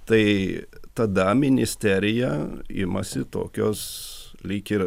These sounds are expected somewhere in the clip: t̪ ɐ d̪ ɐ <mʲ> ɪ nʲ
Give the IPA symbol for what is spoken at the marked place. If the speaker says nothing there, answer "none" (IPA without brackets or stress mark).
mʲ